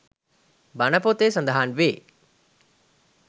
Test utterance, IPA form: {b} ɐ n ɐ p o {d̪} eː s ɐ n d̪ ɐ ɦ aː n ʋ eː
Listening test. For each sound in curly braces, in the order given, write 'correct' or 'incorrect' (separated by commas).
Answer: correct, incorrect